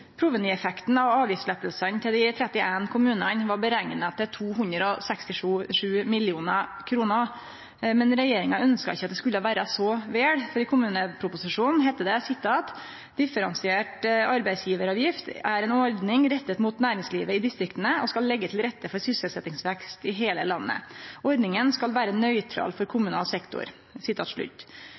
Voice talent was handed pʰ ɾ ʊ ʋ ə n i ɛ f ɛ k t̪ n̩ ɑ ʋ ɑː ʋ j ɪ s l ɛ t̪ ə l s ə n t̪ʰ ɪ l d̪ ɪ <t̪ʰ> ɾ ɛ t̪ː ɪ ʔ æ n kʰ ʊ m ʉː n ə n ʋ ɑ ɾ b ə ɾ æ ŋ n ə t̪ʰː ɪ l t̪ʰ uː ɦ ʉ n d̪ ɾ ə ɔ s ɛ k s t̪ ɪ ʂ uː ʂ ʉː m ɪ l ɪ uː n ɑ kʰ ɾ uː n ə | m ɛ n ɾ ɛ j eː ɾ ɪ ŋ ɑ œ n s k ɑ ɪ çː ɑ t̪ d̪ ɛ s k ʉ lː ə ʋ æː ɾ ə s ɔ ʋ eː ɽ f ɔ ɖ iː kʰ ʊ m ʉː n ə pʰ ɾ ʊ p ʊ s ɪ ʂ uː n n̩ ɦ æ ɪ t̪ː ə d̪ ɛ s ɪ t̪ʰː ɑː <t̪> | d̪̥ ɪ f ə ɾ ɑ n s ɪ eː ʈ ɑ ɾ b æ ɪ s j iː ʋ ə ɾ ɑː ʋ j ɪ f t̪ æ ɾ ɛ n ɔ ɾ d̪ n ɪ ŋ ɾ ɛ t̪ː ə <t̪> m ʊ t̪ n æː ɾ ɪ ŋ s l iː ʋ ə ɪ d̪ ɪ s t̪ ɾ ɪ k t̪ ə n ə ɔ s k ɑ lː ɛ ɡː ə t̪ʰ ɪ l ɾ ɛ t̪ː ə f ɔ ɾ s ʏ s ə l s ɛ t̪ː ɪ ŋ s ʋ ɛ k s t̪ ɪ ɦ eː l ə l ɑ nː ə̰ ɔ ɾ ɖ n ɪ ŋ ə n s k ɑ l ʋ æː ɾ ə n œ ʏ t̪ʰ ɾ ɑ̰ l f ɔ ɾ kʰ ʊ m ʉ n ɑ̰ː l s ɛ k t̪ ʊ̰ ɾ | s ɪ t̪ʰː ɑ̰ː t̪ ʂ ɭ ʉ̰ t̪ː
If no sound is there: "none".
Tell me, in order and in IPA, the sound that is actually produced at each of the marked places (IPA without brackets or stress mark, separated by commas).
t̪ʰ, t̪, t̪